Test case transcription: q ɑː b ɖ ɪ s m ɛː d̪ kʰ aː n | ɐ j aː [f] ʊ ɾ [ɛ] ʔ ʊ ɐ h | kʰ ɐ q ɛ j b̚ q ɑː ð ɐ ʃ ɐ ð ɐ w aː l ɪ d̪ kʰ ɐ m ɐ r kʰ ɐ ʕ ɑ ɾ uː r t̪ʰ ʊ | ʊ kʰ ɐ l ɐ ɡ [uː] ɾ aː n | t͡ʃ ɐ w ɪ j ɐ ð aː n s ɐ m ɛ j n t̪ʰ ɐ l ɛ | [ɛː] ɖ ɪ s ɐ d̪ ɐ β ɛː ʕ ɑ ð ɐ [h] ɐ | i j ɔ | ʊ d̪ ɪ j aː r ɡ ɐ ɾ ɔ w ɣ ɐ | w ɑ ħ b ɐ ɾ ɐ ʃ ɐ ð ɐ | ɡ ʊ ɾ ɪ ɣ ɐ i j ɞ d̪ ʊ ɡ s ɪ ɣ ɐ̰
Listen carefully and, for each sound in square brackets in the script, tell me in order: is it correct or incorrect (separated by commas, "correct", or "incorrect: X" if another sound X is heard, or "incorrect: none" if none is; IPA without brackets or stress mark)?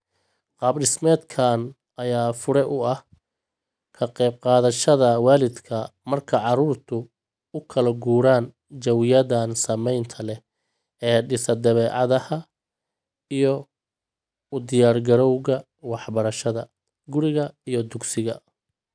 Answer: correct, correct, correct, correct, correct